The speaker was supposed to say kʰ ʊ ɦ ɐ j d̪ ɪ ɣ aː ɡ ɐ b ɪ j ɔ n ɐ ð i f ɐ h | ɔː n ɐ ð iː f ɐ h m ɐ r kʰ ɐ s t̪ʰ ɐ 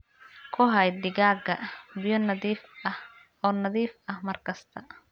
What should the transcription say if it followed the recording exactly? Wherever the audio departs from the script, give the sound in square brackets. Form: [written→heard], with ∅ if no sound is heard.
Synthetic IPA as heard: kʰ ʊ ɦ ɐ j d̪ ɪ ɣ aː ɡ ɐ b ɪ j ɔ n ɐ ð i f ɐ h | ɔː n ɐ ð iː f ɐ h m ɐ r kʰ ɐ s t̪ʰ ɐ